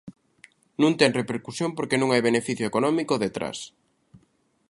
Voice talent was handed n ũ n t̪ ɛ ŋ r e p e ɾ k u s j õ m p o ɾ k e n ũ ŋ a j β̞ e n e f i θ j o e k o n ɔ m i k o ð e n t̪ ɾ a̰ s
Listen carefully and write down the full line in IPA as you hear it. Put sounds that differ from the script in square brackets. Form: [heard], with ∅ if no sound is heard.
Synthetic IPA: n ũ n t̪ ɛ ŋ r e p e ɾ k u s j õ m p o ɾ k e n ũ ŋ a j β̞ e n e f i θ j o e k o n ɔ m i k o ð e [∅] t̪ ɾ a̰ s